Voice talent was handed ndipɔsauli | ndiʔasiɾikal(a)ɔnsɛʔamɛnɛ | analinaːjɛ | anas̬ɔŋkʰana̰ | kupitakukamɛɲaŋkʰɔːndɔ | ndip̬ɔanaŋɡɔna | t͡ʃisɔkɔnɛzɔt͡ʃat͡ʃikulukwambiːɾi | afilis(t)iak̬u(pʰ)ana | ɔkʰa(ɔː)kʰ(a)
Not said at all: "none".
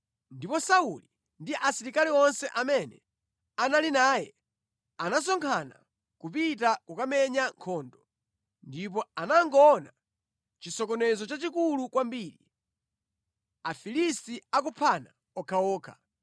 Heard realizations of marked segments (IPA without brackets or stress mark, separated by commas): i, t, pʰ, ɔː, a